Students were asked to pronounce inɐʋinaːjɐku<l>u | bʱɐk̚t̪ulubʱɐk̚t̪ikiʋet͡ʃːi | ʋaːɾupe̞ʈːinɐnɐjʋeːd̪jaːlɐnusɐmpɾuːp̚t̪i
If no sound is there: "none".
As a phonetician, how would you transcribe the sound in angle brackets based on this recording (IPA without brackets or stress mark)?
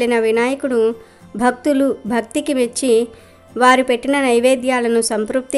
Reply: ɽ